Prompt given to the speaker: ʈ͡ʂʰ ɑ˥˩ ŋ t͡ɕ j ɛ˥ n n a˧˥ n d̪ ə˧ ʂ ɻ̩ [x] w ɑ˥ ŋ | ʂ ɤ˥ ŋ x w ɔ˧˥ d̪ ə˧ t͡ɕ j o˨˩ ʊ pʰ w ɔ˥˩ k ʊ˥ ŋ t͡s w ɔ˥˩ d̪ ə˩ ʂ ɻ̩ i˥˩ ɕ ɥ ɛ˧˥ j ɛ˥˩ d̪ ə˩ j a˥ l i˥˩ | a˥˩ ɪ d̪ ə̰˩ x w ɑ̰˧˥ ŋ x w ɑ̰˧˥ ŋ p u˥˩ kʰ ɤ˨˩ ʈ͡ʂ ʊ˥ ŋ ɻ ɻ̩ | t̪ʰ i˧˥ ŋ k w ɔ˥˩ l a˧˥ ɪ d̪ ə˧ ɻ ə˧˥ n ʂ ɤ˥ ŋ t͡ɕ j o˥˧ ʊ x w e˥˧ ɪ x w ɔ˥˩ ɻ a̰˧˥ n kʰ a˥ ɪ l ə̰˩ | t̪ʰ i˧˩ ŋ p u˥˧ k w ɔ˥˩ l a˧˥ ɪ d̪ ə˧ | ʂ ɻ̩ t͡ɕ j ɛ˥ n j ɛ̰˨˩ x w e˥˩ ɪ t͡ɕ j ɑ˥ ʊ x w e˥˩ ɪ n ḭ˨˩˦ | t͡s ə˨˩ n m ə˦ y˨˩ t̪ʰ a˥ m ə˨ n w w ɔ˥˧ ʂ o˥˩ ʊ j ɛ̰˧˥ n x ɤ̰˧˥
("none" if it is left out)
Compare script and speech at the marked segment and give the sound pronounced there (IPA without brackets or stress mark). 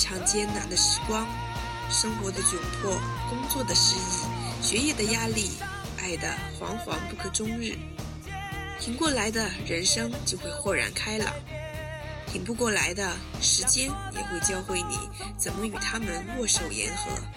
k